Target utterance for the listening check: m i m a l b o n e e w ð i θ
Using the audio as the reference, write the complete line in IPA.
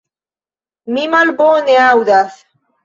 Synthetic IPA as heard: m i m a l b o n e a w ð a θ